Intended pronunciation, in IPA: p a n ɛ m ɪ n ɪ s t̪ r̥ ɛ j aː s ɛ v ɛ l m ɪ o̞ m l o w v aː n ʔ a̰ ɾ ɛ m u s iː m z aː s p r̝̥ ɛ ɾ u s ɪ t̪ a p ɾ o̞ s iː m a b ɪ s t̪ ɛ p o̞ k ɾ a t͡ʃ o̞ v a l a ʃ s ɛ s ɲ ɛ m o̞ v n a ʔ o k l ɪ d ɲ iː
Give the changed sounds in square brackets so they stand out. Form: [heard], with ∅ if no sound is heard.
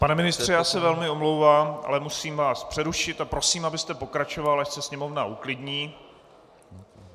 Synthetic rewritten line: p a n ɛ m ɪ n ɪ s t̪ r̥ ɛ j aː s ɛ v ɛ l m ɪ o̞ m l o w v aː [m] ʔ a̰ [l] ɛ m u s iː m [v] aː s p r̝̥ ɛ ɾ u [ʃ] ɪ t̪ a p ɾ o̞ s iː m a b ɪ s t̪ ɛ p o̞ k ɾ a t͡ʃ o̞ v a l a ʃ s ɛ s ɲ ɛ m o̞ v n a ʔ [u] k l ɪ d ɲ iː